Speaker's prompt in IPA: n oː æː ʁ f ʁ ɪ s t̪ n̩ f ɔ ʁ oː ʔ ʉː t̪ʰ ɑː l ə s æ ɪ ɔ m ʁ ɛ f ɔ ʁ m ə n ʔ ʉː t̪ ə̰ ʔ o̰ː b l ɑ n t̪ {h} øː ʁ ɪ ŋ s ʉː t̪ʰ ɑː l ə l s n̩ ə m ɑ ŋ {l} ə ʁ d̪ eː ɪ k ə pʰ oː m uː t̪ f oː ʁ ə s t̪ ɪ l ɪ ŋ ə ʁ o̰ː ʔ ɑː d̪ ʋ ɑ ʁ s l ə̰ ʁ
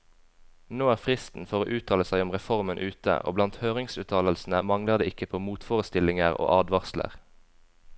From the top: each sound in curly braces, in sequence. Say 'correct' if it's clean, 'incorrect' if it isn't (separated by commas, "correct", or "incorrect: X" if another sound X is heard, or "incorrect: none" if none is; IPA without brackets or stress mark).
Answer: correct, correct